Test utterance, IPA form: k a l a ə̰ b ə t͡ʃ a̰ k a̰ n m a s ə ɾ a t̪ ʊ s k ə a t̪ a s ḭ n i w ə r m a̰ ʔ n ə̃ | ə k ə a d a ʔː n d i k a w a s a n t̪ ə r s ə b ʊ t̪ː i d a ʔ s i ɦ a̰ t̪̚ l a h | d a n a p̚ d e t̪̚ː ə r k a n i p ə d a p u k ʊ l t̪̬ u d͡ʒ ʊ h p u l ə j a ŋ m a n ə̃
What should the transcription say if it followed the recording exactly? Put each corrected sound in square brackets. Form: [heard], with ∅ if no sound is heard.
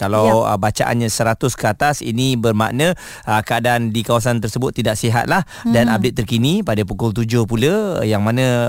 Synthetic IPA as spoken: k a l a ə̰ b [a] t͡ʃ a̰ [ʔ] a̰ n [ɲ] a s ə ɾ a t̪ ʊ s k ə a t̪ a s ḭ n i [b] ə r m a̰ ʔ n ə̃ | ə k ə a d a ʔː n d i k a w a s a n t̪ ə r s ə b ʊ t̪ː i d a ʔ s i ɦ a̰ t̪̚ l a h | d a n a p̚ d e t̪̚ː ə r k [i] n i p [a] d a p u k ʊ l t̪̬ u d͡ʒ ʊ h p u l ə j a ŋ m a n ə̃